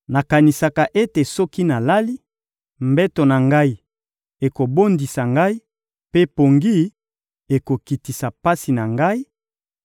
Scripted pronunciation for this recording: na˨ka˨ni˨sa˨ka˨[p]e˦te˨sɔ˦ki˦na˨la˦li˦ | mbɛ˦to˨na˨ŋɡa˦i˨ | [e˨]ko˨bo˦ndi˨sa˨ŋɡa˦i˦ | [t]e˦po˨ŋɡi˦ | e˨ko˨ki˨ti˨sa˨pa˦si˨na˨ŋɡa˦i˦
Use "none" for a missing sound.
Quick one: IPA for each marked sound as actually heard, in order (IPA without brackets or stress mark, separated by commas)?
ʔ, e˨, p